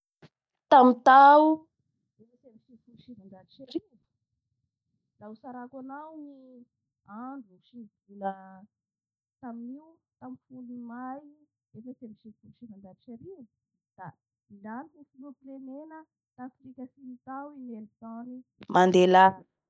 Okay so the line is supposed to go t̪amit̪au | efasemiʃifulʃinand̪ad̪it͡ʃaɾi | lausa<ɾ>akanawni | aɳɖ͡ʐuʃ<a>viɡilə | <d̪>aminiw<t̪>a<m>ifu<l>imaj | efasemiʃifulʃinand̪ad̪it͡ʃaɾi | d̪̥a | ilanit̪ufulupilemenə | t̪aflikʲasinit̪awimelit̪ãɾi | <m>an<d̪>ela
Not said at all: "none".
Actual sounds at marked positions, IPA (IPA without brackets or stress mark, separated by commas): ɾ, i, t̪, t̪, m, l, m, d̪